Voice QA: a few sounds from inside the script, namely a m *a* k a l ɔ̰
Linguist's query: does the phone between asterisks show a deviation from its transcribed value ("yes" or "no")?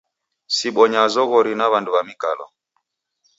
yes